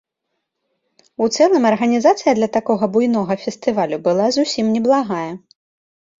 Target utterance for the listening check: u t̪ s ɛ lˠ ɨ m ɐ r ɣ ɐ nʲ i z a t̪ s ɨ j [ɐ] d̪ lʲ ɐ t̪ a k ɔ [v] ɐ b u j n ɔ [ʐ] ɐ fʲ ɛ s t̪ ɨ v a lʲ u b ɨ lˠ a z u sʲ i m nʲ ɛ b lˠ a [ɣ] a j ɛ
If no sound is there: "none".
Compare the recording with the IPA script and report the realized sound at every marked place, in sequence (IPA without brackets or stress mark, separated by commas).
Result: ɐ, ɣ, ɣ, ɣ